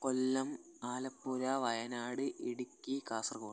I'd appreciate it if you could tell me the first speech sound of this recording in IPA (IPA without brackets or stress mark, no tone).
k